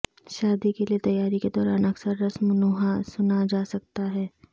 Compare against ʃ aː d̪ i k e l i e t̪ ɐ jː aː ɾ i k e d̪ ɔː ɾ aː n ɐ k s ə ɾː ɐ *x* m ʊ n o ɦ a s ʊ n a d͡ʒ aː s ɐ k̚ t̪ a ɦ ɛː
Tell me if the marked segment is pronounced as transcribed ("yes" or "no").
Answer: no